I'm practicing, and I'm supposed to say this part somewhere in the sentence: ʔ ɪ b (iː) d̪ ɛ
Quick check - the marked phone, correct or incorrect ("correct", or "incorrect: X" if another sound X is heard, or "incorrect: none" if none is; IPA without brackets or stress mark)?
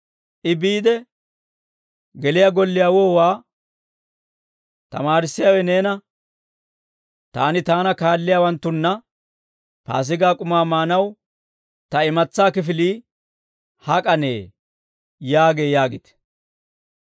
correct